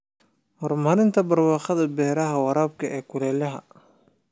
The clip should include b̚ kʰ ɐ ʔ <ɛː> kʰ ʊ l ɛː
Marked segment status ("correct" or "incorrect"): correct